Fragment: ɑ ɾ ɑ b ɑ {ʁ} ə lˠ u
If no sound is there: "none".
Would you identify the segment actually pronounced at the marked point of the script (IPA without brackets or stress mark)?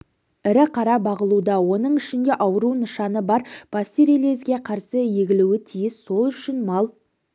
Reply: ʁ